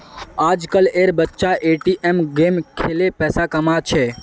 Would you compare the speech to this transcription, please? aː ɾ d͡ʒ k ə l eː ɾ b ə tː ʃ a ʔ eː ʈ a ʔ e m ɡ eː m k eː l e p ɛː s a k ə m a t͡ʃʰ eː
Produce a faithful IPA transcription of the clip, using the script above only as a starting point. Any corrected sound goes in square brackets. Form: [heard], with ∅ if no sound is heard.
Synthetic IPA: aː [∅] d͡ʒ k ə l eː ɾ b ə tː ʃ a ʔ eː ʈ [i] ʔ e m ɡ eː m [kʰ] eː l e p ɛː s a k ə m a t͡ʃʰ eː